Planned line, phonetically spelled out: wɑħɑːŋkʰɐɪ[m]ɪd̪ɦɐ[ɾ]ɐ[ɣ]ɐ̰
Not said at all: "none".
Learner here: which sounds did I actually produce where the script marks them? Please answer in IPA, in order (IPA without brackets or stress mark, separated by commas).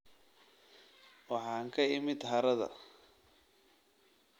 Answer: m, ɾ, ð